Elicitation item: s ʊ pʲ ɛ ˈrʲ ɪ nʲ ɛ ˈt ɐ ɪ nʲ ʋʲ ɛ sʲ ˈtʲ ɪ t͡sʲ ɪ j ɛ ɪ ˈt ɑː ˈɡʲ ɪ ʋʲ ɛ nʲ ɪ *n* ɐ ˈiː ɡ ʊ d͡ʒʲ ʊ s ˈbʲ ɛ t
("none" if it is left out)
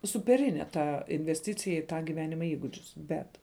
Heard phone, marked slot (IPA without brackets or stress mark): m